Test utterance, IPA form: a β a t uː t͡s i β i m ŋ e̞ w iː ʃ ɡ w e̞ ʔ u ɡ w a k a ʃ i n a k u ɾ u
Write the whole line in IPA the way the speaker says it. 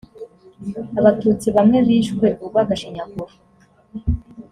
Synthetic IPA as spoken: a β a t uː t͡s i β a m ŋ e̞ β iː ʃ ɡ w e̞ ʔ u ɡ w a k a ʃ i ɲ a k u ɾ u